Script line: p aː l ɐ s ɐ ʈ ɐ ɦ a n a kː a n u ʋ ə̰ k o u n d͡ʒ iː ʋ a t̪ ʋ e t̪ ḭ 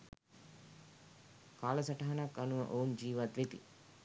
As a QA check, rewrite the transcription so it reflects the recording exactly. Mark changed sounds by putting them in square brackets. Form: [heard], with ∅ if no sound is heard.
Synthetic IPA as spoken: [k] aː l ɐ s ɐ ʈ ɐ ɦ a n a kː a n u ʋ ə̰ [ʔ] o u n d͡ʒ iː ʋ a t̪ ʋ e t̪ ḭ